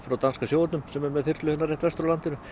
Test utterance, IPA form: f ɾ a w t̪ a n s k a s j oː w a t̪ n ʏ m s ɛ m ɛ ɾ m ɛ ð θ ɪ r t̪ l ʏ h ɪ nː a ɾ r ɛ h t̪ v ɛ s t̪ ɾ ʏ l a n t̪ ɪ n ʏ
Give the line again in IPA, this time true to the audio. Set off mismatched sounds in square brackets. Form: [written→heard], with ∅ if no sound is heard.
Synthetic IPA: f ɾ a w t̪ a n s k a s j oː w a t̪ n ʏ m s ɛ m ɛ ɾ m ɛ ð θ ɪ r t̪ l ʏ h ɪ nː a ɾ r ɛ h t̪ v ɛ s t̪ ɾ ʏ l a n t̪ ɪ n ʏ